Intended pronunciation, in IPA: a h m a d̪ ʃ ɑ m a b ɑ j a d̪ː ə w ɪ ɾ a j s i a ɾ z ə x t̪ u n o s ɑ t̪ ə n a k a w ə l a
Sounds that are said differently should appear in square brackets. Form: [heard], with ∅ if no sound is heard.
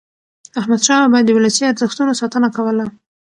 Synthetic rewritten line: a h m a d̪ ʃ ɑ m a b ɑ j a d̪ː ə w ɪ [l] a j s i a ɾ z ə x t̪ u n o s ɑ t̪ ə n a k a w ə l a